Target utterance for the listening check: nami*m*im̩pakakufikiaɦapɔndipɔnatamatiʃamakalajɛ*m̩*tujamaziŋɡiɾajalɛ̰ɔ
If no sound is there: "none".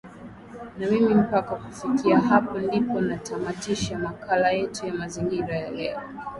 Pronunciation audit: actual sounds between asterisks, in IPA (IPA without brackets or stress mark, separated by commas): m, none